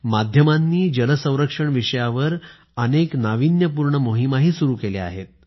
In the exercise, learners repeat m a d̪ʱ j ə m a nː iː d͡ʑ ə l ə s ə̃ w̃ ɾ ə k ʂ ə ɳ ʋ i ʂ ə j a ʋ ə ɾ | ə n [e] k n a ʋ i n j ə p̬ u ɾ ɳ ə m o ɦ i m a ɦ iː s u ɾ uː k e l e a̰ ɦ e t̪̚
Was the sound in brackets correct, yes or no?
yes